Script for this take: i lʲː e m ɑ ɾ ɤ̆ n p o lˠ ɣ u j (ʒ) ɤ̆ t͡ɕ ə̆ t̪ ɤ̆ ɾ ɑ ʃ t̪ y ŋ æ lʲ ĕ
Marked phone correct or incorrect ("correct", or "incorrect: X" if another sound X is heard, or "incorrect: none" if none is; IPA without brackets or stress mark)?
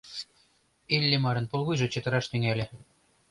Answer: correct